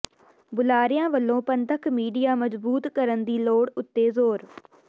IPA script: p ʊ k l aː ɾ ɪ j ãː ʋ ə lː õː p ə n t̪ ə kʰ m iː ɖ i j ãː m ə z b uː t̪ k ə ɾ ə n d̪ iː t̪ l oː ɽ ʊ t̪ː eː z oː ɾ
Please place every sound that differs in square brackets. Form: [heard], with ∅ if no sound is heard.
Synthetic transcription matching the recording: [b] ʊ [∅] l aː ɾ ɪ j ãː ʋ ə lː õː p ə n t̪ ə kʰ m iː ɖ i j [aː] m ə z b uː t̪ k ə ɾ ə n d̪ iː [∅] l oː ɽ ʊ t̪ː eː z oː ɾ